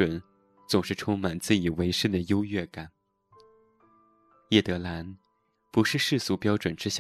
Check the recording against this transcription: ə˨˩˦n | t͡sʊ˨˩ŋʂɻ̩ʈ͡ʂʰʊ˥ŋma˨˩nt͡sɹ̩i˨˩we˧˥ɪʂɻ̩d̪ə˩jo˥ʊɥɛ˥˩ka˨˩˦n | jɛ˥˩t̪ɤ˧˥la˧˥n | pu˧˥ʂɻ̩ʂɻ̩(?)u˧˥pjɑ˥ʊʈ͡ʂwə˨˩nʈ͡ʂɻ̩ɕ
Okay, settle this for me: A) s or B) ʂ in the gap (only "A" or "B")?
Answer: A